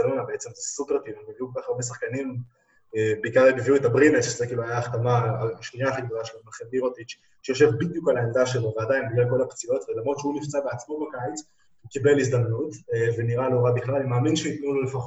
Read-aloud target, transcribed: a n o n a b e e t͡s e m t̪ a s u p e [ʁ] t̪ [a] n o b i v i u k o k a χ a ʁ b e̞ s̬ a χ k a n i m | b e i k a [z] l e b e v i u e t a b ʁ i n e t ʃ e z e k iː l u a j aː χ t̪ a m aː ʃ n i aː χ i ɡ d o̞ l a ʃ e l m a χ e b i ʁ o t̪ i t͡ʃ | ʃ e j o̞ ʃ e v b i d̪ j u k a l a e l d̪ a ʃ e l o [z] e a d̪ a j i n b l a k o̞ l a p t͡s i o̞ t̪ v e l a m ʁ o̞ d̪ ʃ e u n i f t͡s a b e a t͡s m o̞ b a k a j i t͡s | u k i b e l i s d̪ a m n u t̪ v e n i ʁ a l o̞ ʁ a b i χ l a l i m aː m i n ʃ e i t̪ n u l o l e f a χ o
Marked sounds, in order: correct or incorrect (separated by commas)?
correct, incorrect, incorrect, incorrect